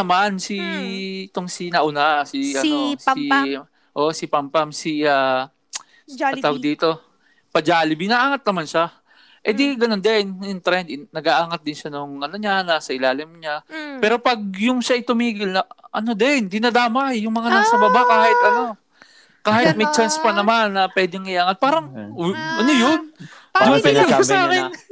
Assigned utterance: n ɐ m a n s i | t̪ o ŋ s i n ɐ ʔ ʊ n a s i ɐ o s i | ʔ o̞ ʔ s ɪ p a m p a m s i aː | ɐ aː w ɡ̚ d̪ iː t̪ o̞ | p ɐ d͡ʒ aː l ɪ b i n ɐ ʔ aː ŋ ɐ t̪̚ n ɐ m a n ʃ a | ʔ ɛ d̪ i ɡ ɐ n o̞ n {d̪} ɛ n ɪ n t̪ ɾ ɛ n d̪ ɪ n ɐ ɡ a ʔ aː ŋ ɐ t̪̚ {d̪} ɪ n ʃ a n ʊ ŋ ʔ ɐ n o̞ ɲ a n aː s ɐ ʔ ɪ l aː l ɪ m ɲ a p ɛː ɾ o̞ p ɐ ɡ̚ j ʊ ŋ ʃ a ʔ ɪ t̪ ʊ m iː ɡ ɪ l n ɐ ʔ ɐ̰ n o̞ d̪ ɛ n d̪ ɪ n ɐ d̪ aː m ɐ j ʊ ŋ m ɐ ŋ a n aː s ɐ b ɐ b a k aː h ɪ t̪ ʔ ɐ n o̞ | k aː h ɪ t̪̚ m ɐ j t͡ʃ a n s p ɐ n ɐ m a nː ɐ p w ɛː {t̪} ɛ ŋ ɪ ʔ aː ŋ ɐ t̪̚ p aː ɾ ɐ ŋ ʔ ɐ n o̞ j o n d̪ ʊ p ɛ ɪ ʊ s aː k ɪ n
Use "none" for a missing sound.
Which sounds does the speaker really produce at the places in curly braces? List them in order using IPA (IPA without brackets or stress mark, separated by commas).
d̪, d̪, d̪